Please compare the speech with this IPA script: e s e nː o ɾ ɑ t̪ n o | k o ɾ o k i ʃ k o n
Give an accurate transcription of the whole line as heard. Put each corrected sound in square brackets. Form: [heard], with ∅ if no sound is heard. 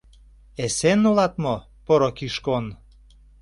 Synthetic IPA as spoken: e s e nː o [l] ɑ t̪ [m] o | [p] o ɾ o k i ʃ k o n